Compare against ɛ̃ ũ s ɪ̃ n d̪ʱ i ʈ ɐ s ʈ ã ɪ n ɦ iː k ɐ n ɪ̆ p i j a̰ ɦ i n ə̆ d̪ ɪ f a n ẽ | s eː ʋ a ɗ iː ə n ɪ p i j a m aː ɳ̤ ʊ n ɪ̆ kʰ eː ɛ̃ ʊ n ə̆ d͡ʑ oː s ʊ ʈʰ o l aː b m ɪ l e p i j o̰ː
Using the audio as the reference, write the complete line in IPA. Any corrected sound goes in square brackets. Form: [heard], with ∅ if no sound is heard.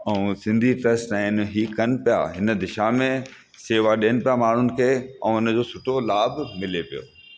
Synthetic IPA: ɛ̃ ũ s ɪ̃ n d̪ʱ i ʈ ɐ s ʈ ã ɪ n ɦ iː k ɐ n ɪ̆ p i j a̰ ɦ [ɪ] n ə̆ d̪ ɪ [ʃ] a [m] ẽ | s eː ʋ a ɗ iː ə n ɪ p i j a m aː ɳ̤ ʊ n ɪ̆ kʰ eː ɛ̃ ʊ n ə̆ d͡ʑ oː s ʊ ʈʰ o l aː b m ɪ l e p i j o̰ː

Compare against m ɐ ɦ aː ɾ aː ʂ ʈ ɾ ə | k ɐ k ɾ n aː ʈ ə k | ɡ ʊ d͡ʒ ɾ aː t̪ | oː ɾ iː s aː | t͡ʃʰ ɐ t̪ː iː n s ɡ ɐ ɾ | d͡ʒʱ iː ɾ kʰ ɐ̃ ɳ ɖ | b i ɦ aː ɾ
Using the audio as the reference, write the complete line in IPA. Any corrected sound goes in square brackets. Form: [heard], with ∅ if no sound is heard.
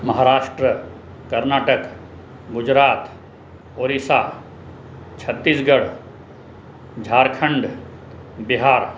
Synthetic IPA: m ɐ ɦ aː ɾ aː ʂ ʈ ɾ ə | k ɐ [∅] ɾ n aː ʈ ə k | ɡ ʊ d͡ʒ ɾ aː t̪ | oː ɾ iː s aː | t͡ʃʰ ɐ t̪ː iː [∅] s ɡ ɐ [ɽ] | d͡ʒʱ [aː] ɾ kʰ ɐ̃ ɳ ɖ | b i ɦ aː ɾ

